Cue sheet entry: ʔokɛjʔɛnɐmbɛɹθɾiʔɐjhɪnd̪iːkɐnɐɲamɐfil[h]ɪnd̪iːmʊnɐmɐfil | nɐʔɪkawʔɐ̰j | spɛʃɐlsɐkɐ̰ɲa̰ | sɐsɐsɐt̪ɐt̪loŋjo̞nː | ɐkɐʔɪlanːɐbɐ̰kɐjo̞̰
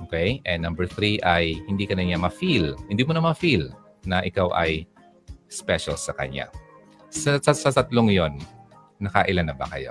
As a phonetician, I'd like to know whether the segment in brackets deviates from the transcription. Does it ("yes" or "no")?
no